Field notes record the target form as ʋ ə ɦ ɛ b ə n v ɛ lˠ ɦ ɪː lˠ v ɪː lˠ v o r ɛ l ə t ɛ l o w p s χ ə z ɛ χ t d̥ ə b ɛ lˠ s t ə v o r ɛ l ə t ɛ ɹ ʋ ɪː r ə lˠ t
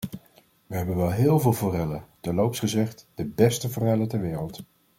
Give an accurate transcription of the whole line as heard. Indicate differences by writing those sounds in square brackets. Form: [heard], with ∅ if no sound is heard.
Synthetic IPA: ʋ ə ɦ ɛ b ə n [ʋ] ɛ lˠ ɦ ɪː lˠ v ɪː lˠ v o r ɛ l ə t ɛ l o w p s χ ə z ɛ χ t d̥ ə b ɛ [∅] s t ə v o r ɛ l ə t ɛ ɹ ʋ ɪː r ə lˠ t